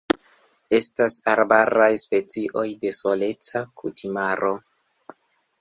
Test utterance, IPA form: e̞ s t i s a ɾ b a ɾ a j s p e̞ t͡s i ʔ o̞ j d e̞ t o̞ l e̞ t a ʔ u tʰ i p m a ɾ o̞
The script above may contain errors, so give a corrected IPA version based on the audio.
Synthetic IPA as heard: e̞ s t a s a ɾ b a ɾ a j s p e̞ t͡s i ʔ o̞ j d e̞ s o̞ l e̞ t͡s a k u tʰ i m a ɾ o̞